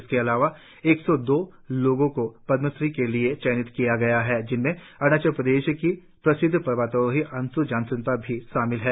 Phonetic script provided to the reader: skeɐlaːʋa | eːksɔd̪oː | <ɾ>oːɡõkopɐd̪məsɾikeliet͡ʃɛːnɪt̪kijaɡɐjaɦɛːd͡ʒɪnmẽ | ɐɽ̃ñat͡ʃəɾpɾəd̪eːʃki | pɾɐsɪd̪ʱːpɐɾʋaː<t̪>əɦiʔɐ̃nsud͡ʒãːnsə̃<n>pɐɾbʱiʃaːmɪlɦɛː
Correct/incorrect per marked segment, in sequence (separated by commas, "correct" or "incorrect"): incorrect, correct, correct